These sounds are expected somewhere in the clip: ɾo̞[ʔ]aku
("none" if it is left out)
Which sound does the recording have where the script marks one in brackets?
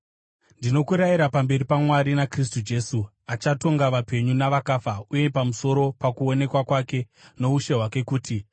p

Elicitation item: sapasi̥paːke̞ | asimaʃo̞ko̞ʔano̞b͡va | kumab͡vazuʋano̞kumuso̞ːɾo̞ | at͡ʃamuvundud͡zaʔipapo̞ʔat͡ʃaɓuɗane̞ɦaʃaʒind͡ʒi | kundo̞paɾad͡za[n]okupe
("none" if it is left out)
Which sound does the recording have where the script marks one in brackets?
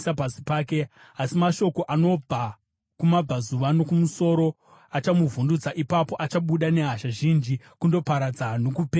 n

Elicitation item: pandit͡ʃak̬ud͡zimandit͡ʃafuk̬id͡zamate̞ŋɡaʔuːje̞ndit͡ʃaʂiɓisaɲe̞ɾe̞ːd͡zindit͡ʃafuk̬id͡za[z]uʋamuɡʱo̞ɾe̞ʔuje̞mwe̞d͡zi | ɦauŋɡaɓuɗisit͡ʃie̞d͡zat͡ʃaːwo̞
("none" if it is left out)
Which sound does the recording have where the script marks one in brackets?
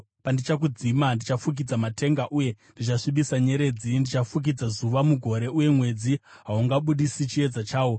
z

